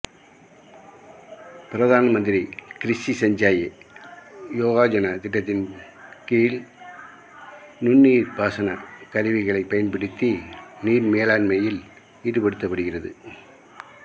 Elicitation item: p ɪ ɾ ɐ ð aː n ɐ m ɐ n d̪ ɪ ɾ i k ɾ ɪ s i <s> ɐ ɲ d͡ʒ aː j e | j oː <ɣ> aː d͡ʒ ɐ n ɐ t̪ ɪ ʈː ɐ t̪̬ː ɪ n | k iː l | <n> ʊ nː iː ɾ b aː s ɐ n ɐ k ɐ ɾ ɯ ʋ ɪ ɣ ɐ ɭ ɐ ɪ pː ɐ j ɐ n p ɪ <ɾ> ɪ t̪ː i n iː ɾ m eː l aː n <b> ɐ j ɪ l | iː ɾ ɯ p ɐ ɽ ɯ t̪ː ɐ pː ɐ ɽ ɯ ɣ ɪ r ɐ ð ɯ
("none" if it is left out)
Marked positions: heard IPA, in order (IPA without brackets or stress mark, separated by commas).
s, ɣ, n, ɽ, m